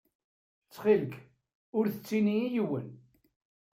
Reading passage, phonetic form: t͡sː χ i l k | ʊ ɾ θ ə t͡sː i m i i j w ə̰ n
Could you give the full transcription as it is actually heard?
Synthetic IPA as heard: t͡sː χ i l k | ʊ ɾ θ ə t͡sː i n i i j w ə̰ n